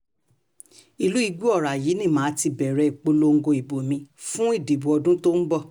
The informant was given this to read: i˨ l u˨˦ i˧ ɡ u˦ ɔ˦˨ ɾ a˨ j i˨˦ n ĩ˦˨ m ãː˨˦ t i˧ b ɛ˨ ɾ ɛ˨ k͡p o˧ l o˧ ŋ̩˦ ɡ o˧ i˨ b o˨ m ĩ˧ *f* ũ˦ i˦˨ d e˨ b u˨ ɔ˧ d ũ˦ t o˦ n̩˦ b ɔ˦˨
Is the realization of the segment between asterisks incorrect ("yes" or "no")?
no